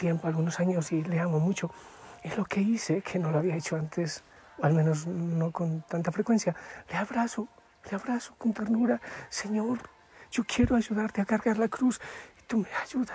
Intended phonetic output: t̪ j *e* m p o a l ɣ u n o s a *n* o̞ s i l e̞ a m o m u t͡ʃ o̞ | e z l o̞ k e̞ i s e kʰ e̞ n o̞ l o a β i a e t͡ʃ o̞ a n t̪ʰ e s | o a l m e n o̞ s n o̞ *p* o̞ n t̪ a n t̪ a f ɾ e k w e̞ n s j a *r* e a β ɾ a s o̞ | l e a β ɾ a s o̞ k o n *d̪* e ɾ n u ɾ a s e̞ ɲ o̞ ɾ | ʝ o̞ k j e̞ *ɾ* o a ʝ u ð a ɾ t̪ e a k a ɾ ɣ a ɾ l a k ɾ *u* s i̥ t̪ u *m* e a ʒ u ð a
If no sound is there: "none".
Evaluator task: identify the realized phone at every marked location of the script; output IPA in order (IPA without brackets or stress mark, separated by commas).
e, ɲ, k, l, t̪, ɾ, u, m